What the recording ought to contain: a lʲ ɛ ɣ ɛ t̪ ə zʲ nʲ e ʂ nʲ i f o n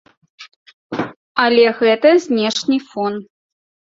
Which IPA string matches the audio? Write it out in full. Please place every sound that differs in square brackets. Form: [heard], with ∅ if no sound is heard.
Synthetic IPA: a lʲ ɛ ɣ ɛ t̪ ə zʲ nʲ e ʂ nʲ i f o n

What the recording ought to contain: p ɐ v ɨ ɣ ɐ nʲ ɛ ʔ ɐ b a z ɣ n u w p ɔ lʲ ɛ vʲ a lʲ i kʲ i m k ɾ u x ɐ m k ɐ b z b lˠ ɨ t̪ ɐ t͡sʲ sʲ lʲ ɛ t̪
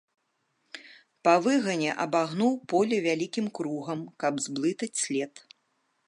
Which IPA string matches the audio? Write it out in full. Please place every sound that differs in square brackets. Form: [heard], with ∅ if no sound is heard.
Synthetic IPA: p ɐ v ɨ ɣ ɐ nʲ ɛ ʔ ɐ b a [∅] ɣ n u w p ɔ lʲ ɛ vʲ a lʲ i kʲ i m k ɾ u [ɣ] ɐ m k ɐ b z b lˠ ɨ t̪ ɐ t͡sʲ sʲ lʲ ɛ t̪

